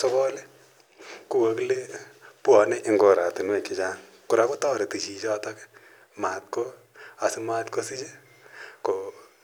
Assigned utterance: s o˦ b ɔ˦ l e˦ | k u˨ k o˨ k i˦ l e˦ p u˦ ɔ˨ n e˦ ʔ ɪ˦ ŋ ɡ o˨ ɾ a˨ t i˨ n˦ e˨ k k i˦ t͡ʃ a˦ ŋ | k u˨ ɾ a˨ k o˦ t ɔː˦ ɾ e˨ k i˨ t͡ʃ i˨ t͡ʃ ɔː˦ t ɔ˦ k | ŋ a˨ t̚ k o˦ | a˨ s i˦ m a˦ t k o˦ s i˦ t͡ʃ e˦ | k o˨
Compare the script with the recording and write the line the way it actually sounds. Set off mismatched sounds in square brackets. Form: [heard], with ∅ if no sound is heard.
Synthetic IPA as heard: s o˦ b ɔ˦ l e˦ | k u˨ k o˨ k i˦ l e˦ p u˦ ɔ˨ n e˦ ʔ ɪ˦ ŋ ɡ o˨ ɾ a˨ t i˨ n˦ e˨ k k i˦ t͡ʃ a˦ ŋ | k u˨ ɾ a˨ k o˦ t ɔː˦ ɾ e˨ [t] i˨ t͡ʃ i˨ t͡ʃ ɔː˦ t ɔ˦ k | [m] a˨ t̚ k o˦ | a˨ s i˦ m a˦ t k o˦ s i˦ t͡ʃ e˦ | k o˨